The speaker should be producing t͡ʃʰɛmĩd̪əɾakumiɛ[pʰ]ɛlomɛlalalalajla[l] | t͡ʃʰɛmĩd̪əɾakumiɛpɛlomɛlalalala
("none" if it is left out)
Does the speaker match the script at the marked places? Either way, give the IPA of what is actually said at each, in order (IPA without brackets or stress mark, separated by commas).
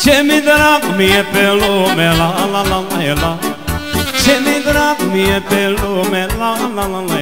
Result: p, none